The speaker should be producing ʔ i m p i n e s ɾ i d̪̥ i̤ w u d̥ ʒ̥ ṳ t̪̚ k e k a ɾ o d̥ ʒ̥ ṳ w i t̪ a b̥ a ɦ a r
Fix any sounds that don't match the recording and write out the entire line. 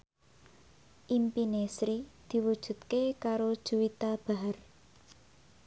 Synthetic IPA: ʔ i m p i n e s ɾ i d̪̥ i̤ w u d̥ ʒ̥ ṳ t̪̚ k e k a ɾ o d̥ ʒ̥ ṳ w i t̪ a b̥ a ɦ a r